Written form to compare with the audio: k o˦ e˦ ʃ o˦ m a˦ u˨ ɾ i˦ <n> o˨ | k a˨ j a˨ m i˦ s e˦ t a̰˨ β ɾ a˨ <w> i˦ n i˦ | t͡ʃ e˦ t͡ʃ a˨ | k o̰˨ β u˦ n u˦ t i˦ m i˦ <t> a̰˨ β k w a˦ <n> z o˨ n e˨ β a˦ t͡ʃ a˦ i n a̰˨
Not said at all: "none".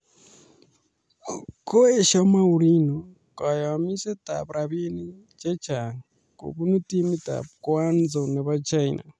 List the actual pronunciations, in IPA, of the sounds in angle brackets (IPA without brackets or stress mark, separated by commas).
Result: n, β, t, n